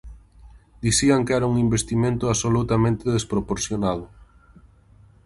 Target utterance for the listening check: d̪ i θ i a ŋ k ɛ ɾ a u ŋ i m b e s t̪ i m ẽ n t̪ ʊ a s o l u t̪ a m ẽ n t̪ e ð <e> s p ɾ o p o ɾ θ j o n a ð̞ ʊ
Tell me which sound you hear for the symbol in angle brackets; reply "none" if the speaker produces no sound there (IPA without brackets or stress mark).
e